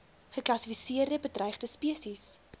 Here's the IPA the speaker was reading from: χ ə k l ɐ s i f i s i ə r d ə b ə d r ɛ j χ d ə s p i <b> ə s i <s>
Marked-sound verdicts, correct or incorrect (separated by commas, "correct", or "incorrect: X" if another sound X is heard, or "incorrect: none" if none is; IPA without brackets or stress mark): incorrect: none, correct